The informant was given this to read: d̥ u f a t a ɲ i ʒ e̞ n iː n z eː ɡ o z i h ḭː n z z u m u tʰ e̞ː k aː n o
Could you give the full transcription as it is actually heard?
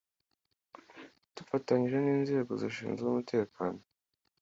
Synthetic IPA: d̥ u f a t a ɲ i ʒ e̞ n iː n z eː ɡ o z i ʃ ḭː n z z u m u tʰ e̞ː k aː n o

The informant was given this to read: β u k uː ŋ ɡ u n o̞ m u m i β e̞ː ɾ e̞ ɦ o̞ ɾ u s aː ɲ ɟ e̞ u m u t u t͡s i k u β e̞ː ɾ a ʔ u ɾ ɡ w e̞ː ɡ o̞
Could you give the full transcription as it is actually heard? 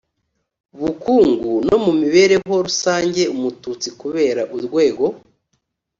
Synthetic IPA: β u k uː ŋ ɡ u n o̞ m u m i β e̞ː ɾ e̞ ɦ o̞ ɾ u s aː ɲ ɟ e̞ u m u t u t͡s i k u β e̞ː ɾ a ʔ u ɾ ɡ w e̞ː ɡ o̞

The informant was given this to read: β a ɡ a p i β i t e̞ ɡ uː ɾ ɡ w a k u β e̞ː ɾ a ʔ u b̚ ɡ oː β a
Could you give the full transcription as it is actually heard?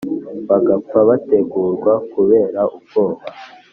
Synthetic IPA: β a ɡ a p a β a t e̞ ɡ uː ɾ ɡ w a k u β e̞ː ɾ a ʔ u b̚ ɡ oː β a

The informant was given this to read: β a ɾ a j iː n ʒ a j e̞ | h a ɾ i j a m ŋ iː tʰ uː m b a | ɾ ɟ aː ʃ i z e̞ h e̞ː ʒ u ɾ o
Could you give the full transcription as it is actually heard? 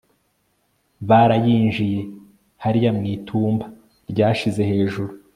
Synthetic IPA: β a ɾ a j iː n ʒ i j e̞ | h a ɾ i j a m ŋ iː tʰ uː m b a | ɾ ɟ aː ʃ i z e̞ h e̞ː ʒ u ɾ u

